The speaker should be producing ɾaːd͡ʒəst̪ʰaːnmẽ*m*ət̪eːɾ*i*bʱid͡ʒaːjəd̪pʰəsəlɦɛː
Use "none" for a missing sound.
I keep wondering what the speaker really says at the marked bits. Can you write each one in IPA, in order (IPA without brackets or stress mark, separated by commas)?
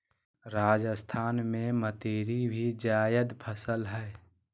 m, i